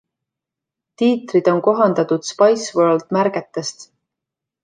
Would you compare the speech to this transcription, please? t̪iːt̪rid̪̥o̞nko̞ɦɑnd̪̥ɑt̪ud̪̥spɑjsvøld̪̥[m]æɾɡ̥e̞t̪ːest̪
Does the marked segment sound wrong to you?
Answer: no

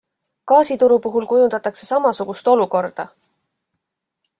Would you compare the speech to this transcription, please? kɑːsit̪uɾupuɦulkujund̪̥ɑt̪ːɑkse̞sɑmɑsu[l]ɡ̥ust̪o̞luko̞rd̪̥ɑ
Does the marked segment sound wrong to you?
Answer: yes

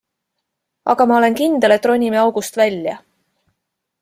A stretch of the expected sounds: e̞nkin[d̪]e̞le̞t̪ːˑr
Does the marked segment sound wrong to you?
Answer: no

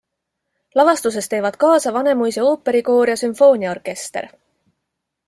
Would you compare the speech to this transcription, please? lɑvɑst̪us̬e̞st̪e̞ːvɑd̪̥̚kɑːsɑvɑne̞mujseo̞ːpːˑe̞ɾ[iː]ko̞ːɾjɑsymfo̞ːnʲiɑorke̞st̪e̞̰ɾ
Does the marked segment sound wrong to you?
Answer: yes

